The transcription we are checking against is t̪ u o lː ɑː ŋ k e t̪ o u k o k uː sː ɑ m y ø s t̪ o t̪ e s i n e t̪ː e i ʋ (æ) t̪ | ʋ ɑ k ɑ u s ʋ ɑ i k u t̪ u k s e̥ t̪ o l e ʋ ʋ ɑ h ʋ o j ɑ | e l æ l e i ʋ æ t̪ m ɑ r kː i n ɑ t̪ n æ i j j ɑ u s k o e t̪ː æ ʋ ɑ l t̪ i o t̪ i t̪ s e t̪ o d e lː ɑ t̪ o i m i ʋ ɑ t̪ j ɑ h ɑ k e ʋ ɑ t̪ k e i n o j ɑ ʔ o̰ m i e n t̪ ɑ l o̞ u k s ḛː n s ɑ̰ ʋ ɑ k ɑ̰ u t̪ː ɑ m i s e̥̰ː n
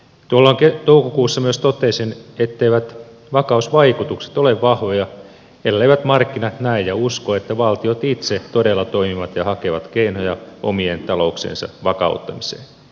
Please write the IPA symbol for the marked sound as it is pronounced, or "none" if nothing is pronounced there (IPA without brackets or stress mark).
æ